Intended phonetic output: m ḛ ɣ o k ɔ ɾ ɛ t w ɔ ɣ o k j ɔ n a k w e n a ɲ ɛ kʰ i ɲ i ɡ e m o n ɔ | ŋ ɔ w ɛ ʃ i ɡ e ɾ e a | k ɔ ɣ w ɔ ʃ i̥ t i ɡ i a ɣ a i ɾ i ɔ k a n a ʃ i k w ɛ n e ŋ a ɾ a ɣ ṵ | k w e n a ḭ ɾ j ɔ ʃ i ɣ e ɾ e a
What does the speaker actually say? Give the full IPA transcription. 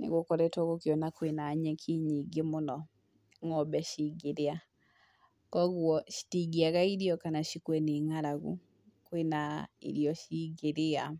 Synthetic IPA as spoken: n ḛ ɣ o k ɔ ɾ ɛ t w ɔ ɣ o k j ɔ n a k w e n a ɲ ɛ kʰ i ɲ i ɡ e m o n ɔ | ŋ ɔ b ɛ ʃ i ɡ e ɾ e a | k ɔ ɣ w ɔ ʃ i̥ t i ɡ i a ɣ a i ɾ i ɔ k a n a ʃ i k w ɛ n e ŋ a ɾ a ɣ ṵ | k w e n a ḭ ɾ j ɔ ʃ i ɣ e ɾ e a